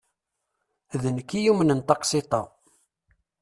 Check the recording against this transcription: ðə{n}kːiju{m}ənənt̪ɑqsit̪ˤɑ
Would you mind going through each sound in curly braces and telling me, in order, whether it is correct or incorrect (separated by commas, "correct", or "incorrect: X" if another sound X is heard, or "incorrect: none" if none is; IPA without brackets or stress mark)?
correct, correct